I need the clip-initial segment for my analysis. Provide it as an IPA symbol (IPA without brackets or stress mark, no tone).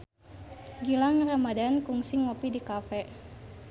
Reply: ɡ